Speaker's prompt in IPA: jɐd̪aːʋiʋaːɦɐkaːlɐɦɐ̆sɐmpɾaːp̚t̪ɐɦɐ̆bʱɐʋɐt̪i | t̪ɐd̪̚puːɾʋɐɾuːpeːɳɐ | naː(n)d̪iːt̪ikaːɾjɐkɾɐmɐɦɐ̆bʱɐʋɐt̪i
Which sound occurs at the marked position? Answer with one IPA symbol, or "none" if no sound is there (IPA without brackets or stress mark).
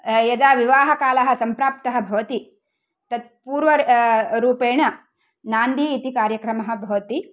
n